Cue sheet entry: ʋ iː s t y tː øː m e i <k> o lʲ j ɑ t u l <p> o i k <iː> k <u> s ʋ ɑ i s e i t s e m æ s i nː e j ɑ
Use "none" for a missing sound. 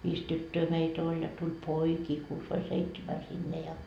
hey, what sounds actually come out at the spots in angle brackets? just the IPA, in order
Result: t, p, iː, uː

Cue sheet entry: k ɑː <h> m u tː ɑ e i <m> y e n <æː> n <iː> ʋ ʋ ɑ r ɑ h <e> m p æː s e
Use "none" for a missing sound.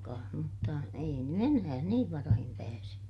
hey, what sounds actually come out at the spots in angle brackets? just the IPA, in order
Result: h, n, æː, iː, i

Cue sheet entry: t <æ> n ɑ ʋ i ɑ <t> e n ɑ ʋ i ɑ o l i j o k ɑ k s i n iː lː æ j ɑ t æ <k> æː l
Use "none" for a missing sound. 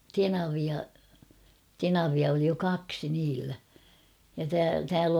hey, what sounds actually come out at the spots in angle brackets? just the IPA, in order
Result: e, t, t

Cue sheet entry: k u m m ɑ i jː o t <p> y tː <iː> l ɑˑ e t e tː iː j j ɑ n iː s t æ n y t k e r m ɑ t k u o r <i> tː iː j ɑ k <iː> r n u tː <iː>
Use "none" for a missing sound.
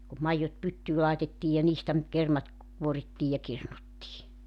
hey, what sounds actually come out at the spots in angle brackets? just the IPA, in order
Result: p, yː, i, i, iː

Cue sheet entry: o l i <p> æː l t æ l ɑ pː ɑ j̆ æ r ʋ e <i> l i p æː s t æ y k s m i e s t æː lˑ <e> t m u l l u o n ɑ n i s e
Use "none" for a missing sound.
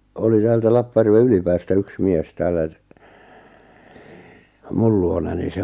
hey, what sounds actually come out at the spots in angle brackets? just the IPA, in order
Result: t, y, æ

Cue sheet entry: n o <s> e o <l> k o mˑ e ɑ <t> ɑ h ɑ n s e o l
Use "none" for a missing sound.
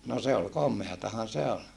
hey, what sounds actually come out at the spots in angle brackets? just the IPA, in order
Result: s, l, t

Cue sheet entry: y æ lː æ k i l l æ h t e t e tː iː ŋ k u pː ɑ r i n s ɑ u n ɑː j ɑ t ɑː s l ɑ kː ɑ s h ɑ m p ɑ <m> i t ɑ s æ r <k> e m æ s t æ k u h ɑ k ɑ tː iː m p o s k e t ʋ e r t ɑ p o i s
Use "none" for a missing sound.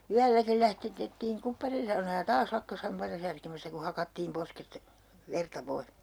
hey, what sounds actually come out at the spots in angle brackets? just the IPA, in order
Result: none, k

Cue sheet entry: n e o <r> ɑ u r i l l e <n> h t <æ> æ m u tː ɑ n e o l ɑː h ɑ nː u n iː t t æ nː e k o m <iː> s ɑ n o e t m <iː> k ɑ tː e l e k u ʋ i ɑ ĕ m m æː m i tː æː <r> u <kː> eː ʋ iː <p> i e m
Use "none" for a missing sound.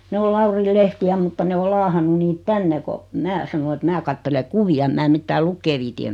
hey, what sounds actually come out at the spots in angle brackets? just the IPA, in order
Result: l, none, i, æː, æː, l, kː, t

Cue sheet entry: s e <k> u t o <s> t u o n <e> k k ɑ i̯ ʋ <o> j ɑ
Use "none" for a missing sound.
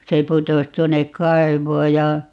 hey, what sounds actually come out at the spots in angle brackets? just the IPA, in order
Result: p, s, e, oː

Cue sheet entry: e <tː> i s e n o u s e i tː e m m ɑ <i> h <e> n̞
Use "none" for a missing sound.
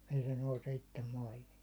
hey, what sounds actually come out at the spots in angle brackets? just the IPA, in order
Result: none, i, i

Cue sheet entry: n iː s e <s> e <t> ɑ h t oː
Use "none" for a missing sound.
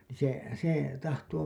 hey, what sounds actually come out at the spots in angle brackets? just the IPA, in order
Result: s, t

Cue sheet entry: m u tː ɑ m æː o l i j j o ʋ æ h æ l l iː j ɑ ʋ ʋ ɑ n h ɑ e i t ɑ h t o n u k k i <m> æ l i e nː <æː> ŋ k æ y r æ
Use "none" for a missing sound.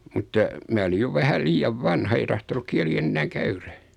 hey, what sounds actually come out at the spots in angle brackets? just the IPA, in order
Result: none, æː

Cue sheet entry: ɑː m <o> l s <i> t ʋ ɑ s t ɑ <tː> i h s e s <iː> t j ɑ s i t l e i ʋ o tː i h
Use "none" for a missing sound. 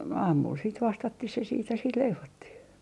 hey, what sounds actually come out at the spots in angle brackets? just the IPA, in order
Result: u, iː, tː, iː

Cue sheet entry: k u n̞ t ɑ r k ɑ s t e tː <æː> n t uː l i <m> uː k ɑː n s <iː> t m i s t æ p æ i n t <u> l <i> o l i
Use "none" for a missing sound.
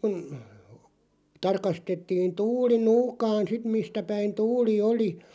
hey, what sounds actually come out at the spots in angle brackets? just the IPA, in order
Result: iː, n, i, uː, i

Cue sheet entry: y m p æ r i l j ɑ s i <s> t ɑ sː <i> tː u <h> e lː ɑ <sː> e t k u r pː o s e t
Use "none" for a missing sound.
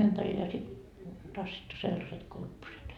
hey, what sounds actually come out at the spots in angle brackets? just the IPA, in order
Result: t, i, s, s

